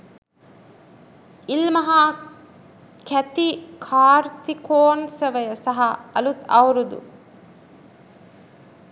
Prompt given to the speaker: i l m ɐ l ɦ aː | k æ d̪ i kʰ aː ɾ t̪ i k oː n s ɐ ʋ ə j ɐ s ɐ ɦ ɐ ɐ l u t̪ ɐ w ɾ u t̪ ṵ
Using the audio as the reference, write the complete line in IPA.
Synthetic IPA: i l m ɐ ɦ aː | k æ t̪ i kʰ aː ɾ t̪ i k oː n s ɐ ʋ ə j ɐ s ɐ ɦ ɐ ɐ l u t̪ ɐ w ɾ u d̪ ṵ

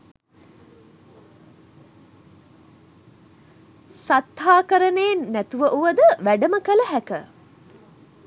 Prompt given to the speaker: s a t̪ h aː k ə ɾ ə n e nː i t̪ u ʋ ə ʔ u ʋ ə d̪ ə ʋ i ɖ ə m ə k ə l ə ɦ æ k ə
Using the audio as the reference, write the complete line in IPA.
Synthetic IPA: s a t̪ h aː k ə ɾ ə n e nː æ t̪ u ʋ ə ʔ u ʋ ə d̪ ə ʋ æ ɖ ə m ə k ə l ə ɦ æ k ə

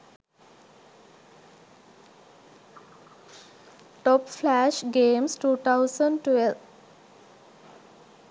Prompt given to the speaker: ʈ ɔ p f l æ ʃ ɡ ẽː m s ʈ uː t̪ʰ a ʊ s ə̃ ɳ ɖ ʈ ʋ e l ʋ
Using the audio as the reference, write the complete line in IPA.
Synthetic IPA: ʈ ɔ p f l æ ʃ ɡ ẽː m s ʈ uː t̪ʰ a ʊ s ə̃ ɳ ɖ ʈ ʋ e l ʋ

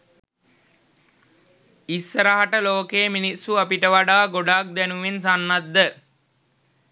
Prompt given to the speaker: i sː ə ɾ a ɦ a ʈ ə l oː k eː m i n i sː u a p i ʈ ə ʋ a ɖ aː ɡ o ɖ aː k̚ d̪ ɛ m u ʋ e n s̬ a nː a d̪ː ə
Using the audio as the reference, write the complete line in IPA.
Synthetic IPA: i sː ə ɾ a ɦ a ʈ ə l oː k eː m i n i sː u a p i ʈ ə ʋ a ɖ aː ɡ o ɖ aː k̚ d̪ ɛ n u ʋ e n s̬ a nː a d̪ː ə

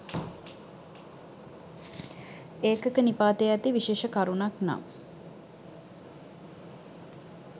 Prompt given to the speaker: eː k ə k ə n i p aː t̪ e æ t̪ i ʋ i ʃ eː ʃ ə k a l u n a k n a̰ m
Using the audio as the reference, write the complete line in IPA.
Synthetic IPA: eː k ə k ə n i p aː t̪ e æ t̪ i ʋ i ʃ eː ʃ ə k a ɾ u n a k n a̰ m

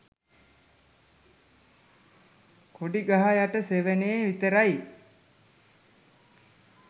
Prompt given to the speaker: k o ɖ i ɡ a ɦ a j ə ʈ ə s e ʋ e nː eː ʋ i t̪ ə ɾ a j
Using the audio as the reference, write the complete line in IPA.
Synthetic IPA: k o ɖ i ɡ a ɦ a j a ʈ ə s e ʋ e n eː ʋ i t̪ ə ɾ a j

